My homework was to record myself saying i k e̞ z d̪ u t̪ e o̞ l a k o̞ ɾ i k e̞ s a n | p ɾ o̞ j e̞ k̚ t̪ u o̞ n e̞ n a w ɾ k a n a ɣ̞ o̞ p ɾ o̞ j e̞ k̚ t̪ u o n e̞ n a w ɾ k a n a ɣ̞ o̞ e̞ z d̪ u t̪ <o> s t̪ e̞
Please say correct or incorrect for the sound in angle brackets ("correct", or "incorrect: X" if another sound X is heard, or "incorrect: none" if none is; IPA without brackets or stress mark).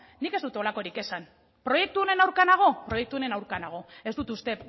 incorrect: u